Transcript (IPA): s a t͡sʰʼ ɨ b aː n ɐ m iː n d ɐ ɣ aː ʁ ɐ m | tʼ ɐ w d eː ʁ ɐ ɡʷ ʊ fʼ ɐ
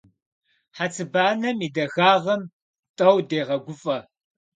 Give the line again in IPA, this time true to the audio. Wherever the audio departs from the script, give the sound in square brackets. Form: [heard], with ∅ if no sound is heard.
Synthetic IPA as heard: [ħ] a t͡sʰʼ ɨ b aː n ɐ m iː [∅] d ɐ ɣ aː ʁ ɐ m | tʼ ɐ w d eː ʁ ɐ ɡʷ ʊ fʼ ɐ